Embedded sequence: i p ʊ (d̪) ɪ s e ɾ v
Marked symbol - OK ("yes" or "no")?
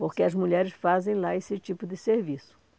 yes